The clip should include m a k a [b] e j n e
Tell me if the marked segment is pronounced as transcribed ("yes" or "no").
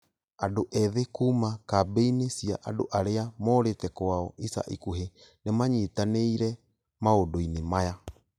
yes